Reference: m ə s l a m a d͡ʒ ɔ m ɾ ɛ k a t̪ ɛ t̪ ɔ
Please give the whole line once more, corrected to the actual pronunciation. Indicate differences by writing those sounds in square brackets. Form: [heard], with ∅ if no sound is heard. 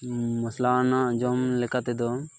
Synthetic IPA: m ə s l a [n] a d͡ʒ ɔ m [l] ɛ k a t̪ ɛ [d̪] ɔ